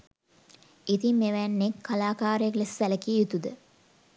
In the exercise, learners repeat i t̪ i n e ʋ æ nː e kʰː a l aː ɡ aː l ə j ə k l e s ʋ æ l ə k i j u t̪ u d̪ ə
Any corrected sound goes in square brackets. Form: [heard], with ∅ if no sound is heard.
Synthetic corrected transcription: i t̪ i [m] e ʋ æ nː e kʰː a l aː [k] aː [ɾ] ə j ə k l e s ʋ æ l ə k i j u t̪ u d̪ ə

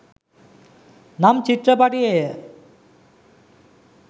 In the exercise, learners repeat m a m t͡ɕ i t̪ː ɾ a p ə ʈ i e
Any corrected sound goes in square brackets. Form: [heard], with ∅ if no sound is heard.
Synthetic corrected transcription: [n] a m t͡ɕ i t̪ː ɾ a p [a] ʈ i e

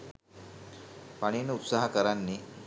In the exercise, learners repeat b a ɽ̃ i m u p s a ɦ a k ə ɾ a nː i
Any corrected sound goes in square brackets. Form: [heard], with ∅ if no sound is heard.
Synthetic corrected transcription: [p] a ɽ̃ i [n] u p s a ɦ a k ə ɾ a nː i

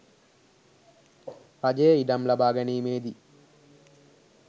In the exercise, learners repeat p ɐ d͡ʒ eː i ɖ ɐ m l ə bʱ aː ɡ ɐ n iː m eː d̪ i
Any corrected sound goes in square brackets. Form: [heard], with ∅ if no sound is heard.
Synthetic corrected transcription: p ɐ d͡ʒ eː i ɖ ɐ m l [ɐ] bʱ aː ɡ ɐ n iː m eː d̪ i

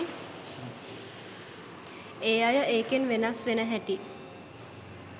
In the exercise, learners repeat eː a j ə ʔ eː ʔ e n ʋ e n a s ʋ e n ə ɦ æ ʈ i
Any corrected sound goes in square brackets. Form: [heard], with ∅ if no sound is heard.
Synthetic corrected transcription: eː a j ə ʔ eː [k] e n ʋ e n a s ʋ e n ə ɦ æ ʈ i

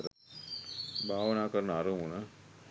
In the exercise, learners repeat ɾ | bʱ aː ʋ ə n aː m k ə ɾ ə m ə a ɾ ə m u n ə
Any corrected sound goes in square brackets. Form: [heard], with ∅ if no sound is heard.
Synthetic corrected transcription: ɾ | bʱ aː ʋ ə n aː [∅] k ə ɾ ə [n] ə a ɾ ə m u n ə

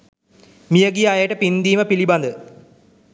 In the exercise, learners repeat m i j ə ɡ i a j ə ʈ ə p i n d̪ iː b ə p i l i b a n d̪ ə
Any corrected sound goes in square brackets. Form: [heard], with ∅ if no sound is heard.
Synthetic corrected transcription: m i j ə ɡ i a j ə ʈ ə p i n d̪ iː [m] ə p i l i b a n d̪ ə

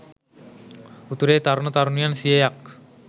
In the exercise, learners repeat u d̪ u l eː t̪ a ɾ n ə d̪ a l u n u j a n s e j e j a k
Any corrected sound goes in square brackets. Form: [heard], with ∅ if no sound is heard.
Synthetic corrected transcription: u [t̪] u [ɾ] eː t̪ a ɾ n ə [t̪] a [ɾ] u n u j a n s [i] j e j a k

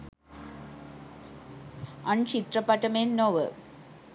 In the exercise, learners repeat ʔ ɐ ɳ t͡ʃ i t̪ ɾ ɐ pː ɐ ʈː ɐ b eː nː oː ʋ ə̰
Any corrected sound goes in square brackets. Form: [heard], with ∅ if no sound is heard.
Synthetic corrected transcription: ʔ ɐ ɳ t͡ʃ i t̪ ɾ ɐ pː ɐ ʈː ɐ [m] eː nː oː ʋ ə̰

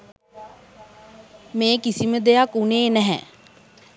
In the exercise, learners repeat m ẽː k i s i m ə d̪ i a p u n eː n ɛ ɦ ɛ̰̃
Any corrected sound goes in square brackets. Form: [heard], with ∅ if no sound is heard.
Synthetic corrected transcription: m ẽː k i s i m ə d̪ [e] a [k] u n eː n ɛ ɦ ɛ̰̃

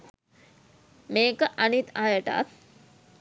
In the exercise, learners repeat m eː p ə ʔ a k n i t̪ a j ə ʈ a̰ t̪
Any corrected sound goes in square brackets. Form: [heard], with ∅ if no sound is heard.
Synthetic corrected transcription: m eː [k] ə ʔ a [∅] n i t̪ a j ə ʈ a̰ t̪

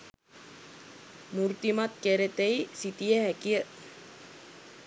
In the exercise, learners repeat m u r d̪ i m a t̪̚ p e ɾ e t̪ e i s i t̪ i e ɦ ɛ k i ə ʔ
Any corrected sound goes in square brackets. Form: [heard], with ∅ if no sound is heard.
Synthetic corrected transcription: m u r [t̪] i m a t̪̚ [k] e ɾ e t̪ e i s i t̪ i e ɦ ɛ k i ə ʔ

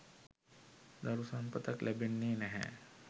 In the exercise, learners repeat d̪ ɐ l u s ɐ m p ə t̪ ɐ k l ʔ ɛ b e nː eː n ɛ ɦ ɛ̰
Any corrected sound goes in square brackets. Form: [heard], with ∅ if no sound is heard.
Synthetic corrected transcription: d̪ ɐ [ɾ] u s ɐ m p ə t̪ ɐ k l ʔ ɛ b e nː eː n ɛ ɦ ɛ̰

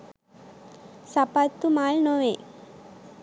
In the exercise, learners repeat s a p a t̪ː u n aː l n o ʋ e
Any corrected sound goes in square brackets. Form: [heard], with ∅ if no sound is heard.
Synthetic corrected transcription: s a p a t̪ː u [m] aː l n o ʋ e

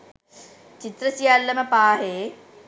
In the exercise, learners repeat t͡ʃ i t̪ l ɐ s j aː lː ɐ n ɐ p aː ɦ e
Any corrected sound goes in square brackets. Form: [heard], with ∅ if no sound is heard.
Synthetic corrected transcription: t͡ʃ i t̪ [ɾ] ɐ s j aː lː ɐ [m] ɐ p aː ɦ e

